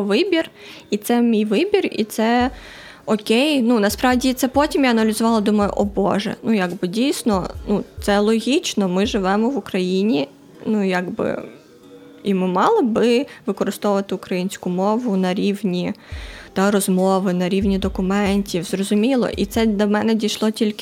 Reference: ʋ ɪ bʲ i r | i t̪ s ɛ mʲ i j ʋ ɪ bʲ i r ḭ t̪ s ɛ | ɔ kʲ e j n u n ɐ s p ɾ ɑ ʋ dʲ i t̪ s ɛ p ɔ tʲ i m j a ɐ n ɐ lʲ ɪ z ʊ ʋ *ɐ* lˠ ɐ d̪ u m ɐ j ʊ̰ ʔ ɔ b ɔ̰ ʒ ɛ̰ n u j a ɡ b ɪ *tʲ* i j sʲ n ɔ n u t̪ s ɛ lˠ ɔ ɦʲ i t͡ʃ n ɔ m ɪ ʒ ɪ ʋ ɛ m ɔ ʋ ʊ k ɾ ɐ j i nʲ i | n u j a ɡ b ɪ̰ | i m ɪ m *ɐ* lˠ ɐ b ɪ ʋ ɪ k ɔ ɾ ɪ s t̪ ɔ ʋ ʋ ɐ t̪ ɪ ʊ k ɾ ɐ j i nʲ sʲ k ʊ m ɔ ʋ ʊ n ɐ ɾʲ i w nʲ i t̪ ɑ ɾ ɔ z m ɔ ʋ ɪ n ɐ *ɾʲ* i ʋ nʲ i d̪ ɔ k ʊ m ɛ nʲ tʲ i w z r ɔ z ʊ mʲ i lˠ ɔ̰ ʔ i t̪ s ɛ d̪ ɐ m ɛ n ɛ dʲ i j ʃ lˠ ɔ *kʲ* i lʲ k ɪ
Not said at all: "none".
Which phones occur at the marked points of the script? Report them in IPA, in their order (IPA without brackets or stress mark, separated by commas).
ɑ, dʲ, ɑ, ɾʲ, tʲ